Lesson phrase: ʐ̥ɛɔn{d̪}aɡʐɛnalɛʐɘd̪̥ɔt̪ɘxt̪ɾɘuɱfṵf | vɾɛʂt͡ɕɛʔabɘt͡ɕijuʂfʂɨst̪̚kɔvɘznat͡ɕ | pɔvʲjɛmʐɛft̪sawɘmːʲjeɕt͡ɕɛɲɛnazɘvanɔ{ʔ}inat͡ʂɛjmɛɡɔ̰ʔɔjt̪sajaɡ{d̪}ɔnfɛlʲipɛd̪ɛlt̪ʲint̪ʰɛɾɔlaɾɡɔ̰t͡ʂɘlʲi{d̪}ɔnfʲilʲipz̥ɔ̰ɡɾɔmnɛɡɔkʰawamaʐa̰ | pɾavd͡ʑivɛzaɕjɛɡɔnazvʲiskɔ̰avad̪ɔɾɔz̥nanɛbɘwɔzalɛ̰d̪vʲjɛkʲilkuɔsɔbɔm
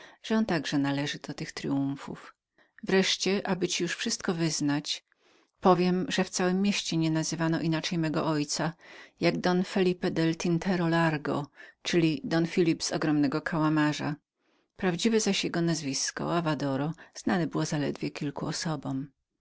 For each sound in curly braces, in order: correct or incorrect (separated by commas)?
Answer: incorrect, correct, correct, correct